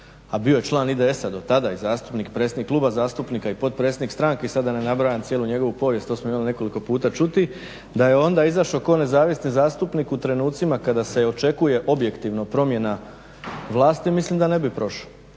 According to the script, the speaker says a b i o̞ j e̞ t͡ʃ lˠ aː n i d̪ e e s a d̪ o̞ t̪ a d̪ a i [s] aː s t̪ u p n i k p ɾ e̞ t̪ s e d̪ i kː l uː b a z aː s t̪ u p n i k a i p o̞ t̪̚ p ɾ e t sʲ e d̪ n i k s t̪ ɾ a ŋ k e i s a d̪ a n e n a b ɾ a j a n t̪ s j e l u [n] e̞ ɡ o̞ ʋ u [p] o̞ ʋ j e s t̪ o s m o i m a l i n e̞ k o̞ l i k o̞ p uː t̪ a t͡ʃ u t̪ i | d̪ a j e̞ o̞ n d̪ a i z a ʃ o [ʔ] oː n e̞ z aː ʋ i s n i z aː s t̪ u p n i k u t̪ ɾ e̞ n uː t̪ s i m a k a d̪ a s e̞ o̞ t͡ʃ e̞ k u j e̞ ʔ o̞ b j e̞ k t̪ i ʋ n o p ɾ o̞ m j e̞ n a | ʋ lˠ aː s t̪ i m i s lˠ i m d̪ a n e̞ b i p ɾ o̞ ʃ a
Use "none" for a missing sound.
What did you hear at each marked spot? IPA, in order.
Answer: z, ɲ, p, k

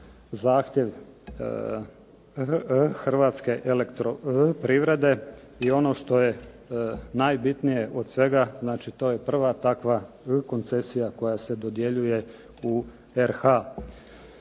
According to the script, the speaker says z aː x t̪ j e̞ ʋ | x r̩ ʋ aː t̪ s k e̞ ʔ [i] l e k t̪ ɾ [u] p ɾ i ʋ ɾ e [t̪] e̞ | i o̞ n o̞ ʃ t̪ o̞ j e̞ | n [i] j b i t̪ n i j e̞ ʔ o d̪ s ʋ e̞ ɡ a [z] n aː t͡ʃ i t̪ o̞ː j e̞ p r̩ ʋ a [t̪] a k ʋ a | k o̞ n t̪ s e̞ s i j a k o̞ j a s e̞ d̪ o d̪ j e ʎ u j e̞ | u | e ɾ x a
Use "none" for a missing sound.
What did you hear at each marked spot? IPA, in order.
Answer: e, o, d̪, a, z, t̪

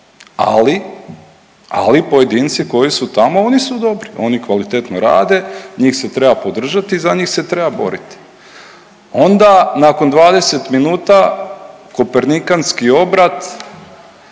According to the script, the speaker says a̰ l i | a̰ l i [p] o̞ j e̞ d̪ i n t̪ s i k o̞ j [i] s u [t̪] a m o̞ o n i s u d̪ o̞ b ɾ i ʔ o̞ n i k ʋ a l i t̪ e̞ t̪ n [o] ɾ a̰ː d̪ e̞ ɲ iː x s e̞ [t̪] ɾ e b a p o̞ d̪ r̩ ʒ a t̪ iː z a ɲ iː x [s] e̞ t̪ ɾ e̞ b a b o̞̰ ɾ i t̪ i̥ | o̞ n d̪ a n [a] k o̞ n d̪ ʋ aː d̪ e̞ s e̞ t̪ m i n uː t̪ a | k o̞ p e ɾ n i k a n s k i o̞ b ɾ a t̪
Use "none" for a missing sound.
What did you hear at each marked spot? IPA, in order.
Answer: p, i, t̪, o, t̪, s, a

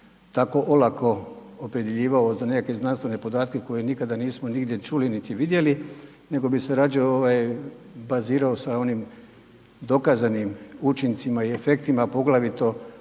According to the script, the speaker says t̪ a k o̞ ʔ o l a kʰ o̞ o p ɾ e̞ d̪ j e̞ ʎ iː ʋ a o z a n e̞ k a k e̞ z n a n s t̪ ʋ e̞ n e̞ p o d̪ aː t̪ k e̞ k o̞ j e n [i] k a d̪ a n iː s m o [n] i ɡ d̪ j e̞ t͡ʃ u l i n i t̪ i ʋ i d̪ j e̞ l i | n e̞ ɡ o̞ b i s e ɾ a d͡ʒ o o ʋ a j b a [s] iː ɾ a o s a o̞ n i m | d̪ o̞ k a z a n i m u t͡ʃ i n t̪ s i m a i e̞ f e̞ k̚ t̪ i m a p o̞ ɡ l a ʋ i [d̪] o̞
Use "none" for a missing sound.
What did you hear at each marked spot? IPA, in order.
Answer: i, n, z, t̪

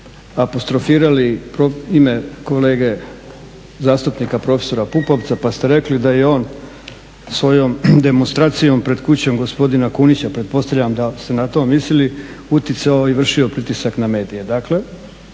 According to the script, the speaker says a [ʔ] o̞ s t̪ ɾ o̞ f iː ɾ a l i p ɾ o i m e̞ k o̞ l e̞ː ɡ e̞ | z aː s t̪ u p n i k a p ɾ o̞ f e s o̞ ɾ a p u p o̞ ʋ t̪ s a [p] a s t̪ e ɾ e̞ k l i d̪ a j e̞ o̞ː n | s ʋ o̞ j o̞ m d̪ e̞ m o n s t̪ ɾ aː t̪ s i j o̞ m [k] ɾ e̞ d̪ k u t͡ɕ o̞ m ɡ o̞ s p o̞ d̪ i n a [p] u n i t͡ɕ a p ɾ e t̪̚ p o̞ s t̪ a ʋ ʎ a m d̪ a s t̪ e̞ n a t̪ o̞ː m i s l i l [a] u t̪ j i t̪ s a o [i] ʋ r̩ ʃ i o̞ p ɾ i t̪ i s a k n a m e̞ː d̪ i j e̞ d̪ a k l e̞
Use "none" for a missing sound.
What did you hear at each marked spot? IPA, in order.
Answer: p, p, p, k, i, i

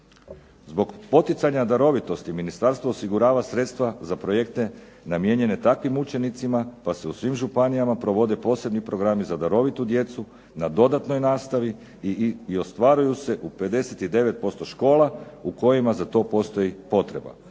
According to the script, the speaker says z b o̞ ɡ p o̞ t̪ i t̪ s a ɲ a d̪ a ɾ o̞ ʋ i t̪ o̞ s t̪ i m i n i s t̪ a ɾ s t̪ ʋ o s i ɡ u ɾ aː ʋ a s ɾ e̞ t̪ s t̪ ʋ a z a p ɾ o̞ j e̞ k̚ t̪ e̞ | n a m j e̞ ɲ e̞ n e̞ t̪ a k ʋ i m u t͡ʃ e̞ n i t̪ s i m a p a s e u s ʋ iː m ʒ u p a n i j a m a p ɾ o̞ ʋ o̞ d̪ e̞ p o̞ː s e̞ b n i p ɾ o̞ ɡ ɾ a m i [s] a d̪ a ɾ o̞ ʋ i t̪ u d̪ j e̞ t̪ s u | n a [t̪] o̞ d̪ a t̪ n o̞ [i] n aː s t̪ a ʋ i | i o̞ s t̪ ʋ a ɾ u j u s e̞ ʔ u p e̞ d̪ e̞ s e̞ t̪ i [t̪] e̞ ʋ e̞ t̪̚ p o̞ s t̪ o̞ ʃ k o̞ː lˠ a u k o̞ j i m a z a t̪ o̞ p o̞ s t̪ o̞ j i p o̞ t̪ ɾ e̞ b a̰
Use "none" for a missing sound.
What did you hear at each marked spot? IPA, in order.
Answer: z, d̪, j, d̪

